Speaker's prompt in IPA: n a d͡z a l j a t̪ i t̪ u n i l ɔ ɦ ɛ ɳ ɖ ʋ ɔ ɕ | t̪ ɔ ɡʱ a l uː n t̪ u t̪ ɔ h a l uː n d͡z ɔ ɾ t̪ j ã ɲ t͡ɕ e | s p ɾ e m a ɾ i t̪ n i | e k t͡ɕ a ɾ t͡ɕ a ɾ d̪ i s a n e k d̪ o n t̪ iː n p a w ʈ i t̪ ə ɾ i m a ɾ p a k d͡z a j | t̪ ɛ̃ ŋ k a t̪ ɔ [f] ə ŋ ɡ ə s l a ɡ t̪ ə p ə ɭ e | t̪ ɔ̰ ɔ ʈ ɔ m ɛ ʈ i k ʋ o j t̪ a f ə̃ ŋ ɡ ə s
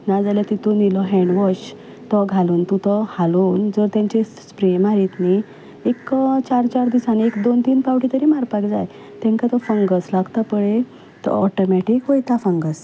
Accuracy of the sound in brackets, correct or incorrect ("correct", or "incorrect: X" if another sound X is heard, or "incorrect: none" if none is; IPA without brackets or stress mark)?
correct